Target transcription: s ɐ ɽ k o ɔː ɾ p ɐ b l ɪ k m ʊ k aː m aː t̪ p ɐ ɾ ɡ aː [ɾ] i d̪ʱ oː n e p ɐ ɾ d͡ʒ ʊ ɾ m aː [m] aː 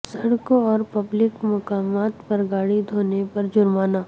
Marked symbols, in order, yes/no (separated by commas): no, no